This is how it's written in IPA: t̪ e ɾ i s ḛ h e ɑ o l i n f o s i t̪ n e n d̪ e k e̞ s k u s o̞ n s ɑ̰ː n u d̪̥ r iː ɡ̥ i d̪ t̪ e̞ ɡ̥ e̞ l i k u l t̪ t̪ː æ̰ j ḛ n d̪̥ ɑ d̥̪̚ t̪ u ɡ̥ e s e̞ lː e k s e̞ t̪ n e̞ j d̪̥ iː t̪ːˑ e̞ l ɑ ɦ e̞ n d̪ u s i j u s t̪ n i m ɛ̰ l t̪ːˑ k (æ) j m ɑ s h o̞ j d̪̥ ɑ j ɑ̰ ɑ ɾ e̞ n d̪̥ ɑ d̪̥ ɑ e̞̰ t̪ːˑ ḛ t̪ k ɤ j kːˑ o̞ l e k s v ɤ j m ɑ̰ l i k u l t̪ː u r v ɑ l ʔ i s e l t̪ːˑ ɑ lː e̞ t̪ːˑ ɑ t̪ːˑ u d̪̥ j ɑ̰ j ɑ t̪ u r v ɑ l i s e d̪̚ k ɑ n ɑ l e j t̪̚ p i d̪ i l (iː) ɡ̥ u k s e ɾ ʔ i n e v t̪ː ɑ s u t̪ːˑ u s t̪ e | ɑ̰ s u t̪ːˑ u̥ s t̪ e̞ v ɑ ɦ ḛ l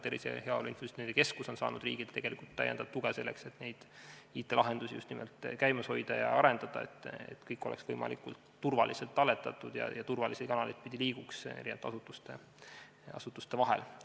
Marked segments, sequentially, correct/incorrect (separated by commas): correct, correct